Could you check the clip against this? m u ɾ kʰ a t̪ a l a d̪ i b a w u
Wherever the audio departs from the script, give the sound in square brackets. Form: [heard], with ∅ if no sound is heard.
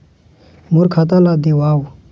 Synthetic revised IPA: m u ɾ kʰ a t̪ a l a d̪ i [w] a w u